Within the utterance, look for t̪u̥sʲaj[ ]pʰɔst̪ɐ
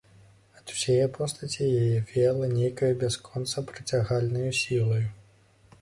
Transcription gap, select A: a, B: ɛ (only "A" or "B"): B